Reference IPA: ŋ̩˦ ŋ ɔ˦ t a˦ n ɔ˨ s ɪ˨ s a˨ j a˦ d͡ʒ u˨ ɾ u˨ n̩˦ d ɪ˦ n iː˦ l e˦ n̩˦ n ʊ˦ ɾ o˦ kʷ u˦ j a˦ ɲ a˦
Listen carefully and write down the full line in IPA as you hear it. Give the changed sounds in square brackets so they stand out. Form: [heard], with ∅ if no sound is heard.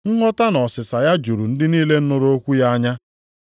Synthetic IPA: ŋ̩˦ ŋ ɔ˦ t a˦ n ɔ˨ s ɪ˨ s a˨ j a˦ d͡ʒ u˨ ɾ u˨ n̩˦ d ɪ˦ n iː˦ l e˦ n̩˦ n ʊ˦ ɾ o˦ kʷ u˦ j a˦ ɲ a˦